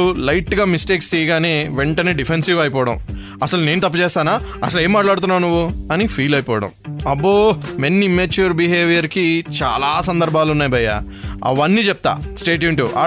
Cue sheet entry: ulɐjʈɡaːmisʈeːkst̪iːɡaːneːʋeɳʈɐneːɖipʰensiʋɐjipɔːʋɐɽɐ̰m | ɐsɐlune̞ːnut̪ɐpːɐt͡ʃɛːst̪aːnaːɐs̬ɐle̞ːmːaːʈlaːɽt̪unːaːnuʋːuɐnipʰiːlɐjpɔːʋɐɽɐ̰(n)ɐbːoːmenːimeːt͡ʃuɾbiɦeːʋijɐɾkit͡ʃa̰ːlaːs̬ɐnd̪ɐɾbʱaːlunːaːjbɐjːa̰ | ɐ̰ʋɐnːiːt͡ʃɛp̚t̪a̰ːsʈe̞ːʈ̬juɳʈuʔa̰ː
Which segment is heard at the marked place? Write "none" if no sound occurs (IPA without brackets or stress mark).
m